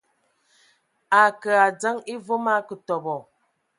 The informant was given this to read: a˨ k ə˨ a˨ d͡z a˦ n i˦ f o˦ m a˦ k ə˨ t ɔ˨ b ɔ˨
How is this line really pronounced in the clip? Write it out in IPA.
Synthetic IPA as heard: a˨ k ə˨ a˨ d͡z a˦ ŋ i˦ v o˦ m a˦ k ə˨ t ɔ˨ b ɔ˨